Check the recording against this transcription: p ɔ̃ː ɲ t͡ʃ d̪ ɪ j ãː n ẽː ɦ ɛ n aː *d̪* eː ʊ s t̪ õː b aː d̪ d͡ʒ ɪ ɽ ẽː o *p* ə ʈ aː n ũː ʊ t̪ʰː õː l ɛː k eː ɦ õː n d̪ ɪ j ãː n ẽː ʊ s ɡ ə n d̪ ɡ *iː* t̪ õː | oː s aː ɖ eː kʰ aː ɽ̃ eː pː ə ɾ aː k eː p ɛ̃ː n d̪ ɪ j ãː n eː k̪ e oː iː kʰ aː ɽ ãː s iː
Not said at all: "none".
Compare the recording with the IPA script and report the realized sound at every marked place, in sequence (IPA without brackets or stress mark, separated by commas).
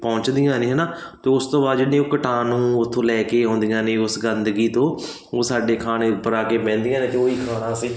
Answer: t̪, k, iː